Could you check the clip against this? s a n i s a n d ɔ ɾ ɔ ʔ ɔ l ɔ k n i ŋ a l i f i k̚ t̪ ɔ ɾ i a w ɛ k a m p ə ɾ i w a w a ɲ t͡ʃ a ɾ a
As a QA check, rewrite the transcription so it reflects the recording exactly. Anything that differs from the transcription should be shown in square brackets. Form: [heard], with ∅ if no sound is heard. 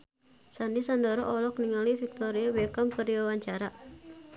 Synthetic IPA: s a n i s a n d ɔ ɾ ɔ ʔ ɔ l ɔ k n i ŋ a l i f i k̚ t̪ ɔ ɾ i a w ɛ k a m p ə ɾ i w a w a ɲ t͡ʃ a ɾ a